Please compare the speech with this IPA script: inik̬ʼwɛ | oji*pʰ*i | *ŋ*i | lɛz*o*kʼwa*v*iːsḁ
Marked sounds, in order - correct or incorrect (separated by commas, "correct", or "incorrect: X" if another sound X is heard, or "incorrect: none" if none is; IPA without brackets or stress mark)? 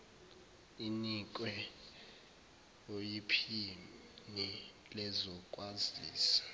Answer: correct, incorrect: n, incorrect: ɔ, incorrect: z